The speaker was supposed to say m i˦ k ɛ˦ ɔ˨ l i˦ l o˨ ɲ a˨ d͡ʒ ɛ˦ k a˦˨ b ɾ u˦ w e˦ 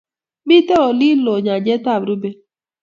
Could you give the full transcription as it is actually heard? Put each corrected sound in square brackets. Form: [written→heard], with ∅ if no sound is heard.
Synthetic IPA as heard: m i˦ [k→t] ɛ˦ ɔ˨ l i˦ l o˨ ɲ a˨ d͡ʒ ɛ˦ [k→t] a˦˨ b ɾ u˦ [w→b] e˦